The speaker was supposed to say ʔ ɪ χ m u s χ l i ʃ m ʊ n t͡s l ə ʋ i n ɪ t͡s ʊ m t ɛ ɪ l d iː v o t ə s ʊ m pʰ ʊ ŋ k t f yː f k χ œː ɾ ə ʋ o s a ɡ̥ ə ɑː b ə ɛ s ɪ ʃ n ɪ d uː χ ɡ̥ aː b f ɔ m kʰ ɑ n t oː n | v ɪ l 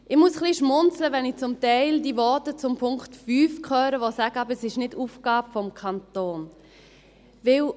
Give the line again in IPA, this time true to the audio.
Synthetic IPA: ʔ ɪ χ m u s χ l i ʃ m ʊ n t͡s l ə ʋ ɛ n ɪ t͡s ʊ m t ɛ ɪ l d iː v ɔ t ə t͡s ʊ m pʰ ʊ ŋ k t f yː f k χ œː ɾ ə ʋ o s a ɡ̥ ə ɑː b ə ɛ s ɪ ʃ n ɪ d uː f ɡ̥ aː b f ɔ m kʰ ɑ n t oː n | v ɪ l

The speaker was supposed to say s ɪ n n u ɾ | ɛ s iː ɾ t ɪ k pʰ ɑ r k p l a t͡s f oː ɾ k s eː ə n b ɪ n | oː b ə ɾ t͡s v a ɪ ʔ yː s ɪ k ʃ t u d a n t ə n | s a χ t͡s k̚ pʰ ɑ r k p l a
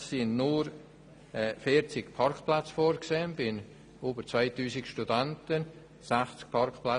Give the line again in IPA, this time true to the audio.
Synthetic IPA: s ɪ n n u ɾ | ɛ f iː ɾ t͡s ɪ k pʰ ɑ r k p l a t͡s f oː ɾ k s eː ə n b ɪ n | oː b ə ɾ t͡s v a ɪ t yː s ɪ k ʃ t u d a n t ə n | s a χ t͡s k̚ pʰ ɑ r k p l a

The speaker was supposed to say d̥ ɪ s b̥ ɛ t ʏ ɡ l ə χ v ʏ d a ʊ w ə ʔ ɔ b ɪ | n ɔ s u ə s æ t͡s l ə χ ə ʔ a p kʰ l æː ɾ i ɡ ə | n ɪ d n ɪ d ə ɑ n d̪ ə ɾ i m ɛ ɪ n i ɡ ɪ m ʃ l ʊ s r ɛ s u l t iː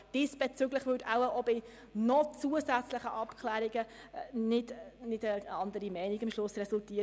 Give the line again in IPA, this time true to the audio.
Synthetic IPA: d̥ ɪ s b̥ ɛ t͡s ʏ ɡ l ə χ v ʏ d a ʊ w ə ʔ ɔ b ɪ | n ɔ t͡s u ə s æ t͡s l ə χ ə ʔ ɑ p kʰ l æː ɾ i ɡ ə | n ɪ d n ɪ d ə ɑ n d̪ ə ɾ i m ɛ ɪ n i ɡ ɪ m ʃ l ʊ s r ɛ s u l t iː

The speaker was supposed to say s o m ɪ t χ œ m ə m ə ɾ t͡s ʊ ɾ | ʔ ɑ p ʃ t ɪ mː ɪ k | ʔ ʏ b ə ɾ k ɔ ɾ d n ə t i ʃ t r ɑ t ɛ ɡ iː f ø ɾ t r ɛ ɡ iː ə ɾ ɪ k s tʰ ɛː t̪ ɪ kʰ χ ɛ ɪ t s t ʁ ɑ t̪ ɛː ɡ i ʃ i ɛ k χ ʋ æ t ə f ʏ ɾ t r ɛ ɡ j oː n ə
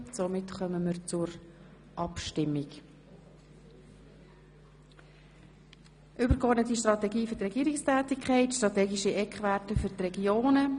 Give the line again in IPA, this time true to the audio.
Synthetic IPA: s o m ɪ t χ œ m ə m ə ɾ t͡s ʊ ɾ | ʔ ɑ p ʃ t ɪ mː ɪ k | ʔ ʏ b ə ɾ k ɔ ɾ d n ə t i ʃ t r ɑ t ɛ ɡ iː f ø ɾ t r ɛ ɡ iː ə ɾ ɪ k s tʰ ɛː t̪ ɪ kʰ χ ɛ ɪ t ʃ t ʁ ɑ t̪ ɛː ɡ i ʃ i ɛ k χ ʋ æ t ə f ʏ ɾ t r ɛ ɡ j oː n ə

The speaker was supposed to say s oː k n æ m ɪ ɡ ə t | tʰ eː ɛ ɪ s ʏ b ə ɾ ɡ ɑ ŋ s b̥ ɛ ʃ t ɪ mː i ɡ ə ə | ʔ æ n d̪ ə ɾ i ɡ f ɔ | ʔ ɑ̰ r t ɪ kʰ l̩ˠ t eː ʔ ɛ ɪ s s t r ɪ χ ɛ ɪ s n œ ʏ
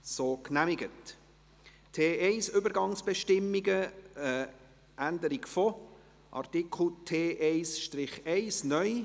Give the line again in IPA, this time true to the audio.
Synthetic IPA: s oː k n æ m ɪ ɡ ə t | tʰ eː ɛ ɪ s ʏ b ə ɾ ɡ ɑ ŋ s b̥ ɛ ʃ t ɪ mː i ɡ ə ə | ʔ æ n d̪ ə ɾ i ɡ f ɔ | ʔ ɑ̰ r t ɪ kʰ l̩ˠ tʰ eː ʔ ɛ ɪ s ʃ t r ɪ χ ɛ ɪ s n œ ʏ

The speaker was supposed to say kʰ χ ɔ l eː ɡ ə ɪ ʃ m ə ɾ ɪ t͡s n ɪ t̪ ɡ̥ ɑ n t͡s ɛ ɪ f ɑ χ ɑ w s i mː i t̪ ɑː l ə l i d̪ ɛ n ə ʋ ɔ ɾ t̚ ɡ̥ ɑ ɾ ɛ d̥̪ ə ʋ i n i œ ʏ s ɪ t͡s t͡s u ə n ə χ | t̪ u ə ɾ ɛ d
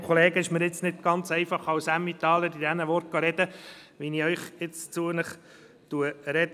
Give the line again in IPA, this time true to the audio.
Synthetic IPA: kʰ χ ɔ l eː ɡ ə ɪ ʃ m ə ɾ ɪ t͡s n ɪ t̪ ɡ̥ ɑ n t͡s ɛ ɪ f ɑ χ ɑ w s æ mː i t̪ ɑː l ə ɾ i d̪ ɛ n ə ʋ ɔ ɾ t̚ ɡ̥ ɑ ɾ ɛ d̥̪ ə ʋ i n i œ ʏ χ ɪ t͡s t͡s u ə n ə χ | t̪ u ə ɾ ɛ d

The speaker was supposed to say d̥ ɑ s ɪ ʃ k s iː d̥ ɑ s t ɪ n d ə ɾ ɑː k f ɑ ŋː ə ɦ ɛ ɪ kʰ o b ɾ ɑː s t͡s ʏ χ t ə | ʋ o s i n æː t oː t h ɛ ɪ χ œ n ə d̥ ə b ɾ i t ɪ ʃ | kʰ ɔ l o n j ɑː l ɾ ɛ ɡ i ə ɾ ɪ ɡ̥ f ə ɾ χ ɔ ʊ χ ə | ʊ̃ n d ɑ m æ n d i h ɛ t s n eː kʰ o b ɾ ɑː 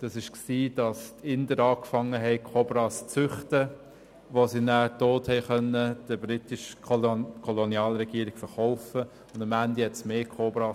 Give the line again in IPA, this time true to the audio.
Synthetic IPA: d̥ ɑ s ɪ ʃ k s iː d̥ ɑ s t ɪ n d ə ɾ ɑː k f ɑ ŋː ə ɦ ɛ ɪ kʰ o b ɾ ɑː s t͡s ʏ χ t ə | ʋ o s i n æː t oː t h ɛ ɪ χ œ n ə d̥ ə b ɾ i t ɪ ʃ | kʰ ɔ l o n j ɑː l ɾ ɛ ɡ i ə ɾ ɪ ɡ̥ f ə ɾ χ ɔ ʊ f ə | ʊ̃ n d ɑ m æ n d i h ɛ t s m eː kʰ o b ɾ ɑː

